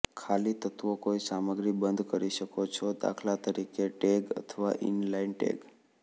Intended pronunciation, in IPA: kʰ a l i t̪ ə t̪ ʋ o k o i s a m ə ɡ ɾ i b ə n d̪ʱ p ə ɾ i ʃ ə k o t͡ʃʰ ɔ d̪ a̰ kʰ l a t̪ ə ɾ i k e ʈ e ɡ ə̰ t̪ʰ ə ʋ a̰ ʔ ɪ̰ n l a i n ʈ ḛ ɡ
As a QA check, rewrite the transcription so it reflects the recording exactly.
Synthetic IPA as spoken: kʰ a l i t̪ ə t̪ ʋ o k o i s a m ə ɡ ɾ i b ə n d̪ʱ k ə ɾ i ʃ ə k o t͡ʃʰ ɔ d̪ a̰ kʰ l a t̪ ə ɾ i k e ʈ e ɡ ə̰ t̪ʰ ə ʋ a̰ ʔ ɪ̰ n l a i n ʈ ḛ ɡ

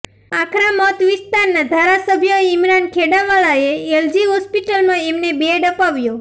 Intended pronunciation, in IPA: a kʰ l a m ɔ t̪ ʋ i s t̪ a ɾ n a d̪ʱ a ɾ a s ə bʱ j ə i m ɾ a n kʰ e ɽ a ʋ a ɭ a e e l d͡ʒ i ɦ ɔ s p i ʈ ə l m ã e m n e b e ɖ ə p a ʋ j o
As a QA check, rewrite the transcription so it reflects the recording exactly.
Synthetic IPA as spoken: a kʰ ɾ a m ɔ t̪ ʋ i s t̪ a ɾ n a d̪ʱ a ɾ a s ə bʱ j ə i m ɾ a n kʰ e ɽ a ʋ a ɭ a e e l d͡ʒ i ɦ ɔ s p i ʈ ə l m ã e m n e b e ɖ ə p a ʋ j o

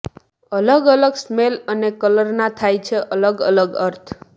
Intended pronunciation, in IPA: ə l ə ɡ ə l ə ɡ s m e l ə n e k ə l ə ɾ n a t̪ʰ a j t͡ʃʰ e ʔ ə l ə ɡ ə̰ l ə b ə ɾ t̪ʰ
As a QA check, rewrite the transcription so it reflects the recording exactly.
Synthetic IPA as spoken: ə l ə ɡ ə l ə ɡ s m e l ə n e k ə l ə ɾ n a t̪ʰ a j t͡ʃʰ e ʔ ə l ə ɡ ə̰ l ə ɡ ə ɾ t̪ʰ

